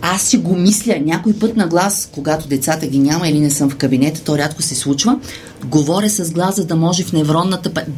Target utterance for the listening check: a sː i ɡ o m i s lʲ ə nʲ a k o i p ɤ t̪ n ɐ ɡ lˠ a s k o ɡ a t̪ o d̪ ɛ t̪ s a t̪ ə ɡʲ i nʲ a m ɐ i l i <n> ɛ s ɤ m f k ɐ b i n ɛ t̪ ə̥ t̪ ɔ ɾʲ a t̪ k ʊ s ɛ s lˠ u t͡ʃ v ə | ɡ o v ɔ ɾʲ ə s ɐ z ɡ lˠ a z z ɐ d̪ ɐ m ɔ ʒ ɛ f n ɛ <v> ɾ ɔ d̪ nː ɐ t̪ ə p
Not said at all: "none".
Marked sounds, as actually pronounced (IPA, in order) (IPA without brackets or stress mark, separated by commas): n, v